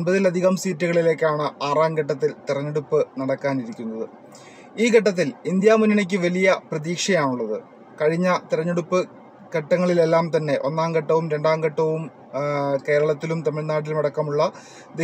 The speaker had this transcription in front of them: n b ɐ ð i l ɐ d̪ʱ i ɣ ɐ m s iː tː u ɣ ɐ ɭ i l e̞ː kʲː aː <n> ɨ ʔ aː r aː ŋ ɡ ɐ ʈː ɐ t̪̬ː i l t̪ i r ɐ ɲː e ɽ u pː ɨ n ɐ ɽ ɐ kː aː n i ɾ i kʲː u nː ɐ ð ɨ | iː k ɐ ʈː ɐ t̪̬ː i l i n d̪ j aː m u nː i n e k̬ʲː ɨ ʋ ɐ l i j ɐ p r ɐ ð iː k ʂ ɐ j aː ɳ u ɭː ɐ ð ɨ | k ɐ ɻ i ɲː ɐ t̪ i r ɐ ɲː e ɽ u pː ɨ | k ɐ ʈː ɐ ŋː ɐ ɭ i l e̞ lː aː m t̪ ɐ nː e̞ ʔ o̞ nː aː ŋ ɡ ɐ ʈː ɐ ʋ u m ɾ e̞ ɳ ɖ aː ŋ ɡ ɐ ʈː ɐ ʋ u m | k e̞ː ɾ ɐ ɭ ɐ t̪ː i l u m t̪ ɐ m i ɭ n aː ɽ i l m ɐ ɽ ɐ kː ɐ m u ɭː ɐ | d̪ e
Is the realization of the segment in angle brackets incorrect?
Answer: yes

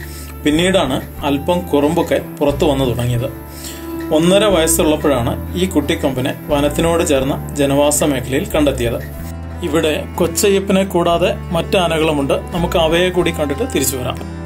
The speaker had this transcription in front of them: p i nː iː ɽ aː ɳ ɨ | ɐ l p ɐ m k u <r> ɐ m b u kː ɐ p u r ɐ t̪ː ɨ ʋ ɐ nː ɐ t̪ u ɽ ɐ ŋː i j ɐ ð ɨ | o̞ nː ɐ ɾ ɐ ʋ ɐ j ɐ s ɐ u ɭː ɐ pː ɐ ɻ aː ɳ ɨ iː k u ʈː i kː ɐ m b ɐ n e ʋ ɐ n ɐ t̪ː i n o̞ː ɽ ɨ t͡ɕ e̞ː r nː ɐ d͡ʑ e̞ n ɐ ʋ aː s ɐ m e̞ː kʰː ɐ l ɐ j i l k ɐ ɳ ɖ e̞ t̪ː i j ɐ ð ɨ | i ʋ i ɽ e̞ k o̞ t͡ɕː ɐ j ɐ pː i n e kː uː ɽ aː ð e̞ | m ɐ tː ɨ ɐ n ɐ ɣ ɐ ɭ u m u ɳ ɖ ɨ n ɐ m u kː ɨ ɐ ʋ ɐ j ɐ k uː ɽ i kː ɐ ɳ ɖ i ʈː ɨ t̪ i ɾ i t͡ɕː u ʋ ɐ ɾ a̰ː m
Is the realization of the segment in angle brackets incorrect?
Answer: no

